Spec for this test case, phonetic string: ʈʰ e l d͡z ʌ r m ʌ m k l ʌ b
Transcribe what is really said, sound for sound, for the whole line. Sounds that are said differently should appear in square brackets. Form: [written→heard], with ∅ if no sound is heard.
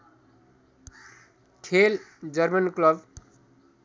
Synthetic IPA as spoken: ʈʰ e l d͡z ʌ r m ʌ [m→n] k l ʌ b